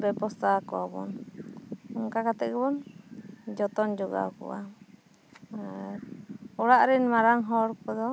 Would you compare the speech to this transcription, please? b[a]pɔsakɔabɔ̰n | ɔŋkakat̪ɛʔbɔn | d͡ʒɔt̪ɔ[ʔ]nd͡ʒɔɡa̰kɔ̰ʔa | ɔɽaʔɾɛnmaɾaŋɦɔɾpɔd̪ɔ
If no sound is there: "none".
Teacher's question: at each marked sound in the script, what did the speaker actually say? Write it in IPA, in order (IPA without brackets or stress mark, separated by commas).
ɛ, none